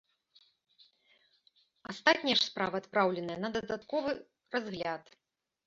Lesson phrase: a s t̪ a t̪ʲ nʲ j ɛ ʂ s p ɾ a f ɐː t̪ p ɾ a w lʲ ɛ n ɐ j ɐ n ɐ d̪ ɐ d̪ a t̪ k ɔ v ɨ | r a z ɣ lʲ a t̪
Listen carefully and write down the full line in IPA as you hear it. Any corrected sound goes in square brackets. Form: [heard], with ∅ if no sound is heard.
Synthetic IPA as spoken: a s t̪ a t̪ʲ nʲ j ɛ ʂ s p ɾ a [v] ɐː t̪ p ɾ a w lʲ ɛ n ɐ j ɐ n ɐ d̪ ɐ d̪ a t̪ k ɔ v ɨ | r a z ɣ lʲ a t̪